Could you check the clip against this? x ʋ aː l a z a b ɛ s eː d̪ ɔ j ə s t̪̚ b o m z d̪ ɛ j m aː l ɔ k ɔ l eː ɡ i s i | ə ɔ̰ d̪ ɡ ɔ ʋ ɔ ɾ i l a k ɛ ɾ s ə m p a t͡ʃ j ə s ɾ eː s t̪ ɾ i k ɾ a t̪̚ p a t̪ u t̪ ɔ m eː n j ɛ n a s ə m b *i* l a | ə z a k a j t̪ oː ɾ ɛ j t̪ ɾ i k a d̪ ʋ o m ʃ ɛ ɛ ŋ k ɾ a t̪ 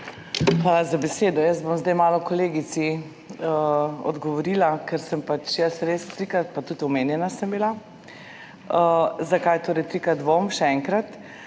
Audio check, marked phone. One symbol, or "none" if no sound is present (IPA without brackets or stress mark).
i